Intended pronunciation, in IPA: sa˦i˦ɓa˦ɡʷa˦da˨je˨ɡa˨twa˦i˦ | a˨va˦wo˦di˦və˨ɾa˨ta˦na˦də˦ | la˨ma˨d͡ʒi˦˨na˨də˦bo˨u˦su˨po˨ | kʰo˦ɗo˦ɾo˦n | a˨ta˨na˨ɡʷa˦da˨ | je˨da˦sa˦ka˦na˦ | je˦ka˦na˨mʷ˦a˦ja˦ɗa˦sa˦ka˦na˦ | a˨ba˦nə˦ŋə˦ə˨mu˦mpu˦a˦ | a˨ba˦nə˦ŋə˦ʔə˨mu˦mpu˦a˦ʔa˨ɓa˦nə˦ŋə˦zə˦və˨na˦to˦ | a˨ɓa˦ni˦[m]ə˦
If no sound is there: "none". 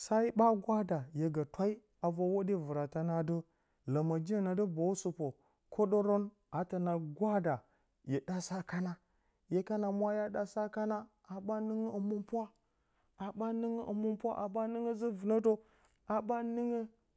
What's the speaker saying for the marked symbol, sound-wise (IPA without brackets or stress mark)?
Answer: ŋ